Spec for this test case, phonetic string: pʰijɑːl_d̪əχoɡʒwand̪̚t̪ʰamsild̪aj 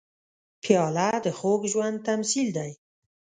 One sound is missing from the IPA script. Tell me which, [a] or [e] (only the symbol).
a